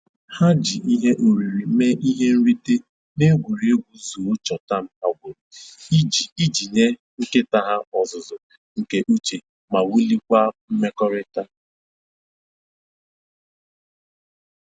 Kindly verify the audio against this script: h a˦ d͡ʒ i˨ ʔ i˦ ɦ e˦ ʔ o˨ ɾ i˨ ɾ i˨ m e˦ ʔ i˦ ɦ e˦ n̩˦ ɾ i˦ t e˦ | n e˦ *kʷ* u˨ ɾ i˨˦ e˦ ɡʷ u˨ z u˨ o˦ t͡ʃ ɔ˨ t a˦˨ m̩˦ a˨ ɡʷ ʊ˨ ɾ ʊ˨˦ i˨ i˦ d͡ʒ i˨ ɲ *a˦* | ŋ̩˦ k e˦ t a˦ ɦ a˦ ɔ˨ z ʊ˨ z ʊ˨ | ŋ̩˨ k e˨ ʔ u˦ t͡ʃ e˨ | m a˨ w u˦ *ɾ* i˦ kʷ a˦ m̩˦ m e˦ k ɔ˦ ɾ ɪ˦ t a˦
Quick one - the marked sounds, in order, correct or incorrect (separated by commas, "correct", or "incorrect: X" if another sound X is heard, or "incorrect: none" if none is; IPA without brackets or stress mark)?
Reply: incorrect: ɡʷ, incorrect: e˦, incorrect: l